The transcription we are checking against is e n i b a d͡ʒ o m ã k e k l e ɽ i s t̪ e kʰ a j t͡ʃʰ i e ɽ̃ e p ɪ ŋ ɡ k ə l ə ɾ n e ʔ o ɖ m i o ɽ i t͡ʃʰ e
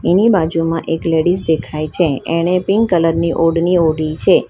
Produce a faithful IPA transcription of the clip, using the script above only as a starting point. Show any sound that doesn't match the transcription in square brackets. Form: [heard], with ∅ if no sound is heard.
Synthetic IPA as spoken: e n i b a d͡ʒ [u] m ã [ʔ] e k l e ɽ i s [d̪] e kʰ a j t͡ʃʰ [e] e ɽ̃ e p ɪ ŋ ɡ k ə l ə ɾ n [i] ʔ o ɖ [n] i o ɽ i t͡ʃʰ e